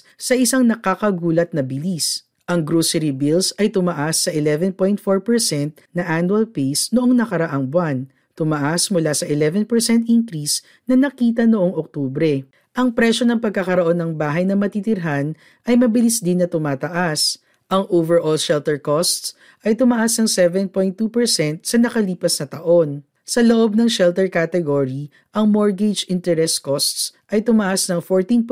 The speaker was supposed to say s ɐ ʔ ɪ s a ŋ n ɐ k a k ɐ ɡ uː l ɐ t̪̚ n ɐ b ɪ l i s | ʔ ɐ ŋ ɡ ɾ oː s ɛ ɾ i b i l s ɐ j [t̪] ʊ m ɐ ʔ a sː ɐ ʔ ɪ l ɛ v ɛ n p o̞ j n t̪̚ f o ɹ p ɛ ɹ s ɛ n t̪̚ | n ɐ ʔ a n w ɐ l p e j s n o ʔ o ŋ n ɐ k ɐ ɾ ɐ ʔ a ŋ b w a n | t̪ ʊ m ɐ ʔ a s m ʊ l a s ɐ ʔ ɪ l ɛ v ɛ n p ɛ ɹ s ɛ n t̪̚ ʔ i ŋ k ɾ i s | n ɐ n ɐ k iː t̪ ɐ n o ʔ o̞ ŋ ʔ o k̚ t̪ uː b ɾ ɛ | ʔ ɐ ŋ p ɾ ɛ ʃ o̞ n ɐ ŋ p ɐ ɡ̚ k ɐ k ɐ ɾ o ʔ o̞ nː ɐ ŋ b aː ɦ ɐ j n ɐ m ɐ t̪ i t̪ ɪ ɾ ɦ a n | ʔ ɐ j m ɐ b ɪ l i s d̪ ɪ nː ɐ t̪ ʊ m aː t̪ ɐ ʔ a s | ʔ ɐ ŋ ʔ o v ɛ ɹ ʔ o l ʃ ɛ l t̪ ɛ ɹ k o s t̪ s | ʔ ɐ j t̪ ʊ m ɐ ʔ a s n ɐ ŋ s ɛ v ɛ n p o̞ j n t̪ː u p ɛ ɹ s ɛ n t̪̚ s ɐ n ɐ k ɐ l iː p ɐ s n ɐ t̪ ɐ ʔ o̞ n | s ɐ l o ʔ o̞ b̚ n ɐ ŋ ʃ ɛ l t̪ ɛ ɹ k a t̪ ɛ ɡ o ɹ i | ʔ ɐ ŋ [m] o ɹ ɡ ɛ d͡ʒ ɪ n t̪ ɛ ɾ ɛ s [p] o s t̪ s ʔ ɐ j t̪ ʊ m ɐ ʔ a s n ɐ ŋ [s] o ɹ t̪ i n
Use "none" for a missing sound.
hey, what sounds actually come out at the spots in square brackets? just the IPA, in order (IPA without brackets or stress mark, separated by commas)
t̪, m, k, f